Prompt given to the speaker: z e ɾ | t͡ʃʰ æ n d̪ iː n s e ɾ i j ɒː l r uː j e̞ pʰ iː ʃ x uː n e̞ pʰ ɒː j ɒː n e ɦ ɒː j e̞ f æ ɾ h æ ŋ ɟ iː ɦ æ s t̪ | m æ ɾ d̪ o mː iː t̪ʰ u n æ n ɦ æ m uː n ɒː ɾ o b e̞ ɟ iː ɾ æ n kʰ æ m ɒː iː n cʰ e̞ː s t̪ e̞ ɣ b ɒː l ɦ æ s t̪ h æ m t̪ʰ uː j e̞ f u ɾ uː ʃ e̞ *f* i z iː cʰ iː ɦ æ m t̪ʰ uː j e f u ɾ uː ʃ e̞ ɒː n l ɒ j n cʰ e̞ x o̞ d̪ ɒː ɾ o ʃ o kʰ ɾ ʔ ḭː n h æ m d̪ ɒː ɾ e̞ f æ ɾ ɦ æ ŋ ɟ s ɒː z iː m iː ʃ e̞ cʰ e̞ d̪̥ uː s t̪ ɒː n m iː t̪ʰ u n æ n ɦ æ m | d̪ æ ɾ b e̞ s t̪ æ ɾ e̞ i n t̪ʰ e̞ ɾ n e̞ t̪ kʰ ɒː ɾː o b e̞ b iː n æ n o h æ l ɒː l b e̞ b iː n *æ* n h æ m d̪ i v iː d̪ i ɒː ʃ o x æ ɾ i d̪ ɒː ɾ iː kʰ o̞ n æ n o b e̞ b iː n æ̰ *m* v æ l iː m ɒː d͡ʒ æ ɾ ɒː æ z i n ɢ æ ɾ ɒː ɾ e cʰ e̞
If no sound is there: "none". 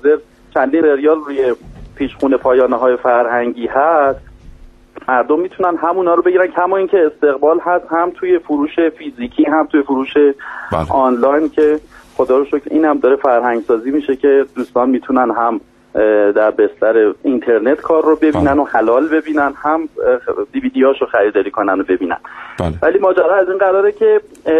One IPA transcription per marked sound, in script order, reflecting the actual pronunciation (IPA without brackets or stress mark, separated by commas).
f, æ, n